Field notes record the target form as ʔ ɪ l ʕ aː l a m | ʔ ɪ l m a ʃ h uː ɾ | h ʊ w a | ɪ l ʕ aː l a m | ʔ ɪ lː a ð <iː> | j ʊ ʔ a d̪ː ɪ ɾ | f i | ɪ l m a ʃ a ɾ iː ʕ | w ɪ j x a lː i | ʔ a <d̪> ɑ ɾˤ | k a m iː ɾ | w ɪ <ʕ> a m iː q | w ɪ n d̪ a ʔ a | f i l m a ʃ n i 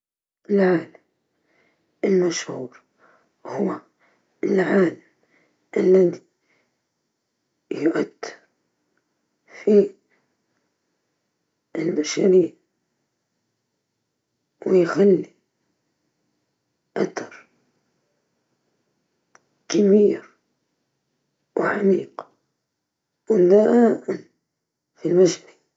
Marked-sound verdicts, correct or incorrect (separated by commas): incorrect, incorrect, correct